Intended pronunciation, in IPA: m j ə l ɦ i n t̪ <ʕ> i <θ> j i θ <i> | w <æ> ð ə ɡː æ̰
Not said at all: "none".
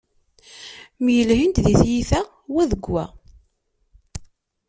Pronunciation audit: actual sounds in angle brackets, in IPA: ð, θ, æ, æ

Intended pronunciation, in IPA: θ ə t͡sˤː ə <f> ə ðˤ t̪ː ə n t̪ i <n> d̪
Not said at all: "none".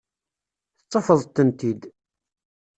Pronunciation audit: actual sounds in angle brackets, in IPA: f, none

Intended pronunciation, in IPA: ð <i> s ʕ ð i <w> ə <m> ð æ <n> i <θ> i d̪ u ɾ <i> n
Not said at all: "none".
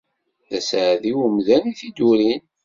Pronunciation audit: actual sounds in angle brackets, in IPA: æ, w, m, n, θ, i

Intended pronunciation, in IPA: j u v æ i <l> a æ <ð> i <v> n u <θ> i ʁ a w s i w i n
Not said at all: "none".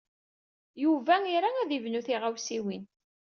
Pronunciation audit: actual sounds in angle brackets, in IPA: ɾ, ð, v, θ

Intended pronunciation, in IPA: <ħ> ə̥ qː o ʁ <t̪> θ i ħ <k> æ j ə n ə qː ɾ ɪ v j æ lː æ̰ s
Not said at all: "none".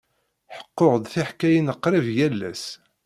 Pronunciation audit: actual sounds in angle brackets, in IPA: ħ, d̪, k

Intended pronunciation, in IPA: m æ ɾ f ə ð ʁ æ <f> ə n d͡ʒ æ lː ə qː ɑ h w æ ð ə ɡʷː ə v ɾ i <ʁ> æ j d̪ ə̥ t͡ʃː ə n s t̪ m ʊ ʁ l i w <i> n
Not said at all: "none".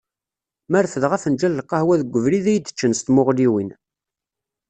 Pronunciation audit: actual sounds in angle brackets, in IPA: f, ð, i

